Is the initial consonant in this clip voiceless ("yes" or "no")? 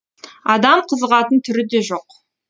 no